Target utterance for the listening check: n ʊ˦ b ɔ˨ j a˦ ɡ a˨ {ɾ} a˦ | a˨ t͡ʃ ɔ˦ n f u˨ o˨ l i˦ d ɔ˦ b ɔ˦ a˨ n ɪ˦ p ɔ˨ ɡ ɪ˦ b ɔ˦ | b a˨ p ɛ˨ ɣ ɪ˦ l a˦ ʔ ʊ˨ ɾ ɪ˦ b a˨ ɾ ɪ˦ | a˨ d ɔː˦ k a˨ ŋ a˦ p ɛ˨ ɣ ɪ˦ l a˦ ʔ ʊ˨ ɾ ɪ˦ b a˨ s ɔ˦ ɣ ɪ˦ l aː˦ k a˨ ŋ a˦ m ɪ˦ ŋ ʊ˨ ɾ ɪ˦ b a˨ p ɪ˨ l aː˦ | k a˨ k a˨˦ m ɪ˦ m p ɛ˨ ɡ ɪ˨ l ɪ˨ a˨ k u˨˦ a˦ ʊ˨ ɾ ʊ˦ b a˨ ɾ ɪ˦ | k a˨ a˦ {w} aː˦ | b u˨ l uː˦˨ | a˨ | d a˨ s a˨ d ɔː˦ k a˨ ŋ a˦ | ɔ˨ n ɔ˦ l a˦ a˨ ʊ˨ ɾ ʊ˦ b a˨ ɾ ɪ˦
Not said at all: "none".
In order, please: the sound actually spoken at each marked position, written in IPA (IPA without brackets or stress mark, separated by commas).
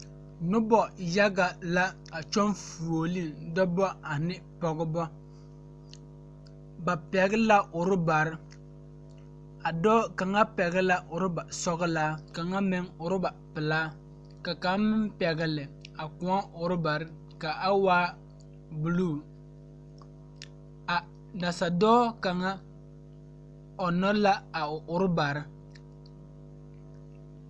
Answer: l, w